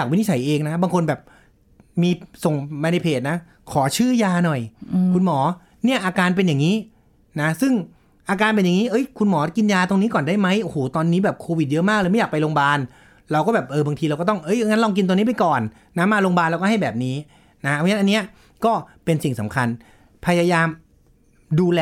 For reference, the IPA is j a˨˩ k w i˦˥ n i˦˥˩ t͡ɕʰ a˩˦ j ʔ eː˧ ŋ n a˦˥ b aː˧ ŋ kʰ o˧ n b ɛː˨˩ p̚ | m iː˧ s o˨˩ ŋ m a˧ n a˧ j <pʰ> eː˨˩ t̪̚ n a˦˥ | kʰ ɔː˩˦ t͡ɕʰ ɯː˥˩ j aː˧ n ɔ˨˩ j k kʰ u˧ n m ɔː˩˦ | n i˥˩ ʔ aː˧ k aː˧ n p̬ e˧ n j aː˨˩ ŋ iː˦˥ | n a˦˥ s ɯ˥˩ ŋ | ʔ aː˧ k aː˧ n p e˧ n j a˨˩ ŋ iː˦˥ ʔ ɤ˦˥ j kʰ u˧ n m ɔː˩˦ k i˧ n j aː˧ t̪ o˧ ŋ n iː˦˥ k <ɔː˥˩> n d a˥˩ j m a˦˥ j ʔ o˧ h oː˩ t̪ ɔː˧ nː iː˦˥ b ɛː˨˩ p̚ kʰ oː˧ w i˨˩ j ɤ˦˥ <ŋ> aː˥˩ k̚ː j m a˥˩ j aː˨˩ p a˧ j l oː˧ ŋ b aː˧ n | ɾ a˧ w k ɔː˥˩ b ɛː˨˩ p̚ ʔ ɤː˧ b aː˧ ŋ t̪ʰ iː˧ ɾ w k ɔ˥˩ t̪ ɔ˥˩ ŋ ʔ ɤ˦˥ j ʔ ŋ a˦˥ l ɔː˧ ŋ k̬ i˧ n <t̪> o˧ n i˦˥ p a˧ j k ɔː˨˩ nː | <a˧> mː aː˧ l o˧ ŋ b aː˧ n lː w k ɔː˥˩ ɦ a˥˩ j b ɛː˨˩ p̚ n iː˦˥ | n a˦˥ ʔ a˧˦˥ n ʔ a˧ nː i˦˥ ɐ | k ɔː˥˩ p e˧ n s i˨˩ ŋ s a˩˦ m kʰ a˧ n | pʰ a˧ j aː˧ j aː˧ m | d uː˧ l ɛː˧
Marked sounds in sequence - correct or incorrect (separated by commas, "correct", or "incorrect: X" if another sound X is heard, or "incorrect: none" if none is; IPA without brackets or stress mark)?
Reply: correct, incorrect: ɔː˨˩, incorrect: m, correct, incorrect: a˦˥